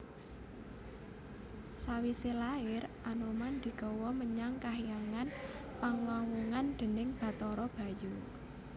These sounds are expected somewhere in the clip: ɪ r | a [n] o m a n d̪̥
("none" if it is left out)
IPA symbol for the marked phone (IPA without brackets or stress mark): n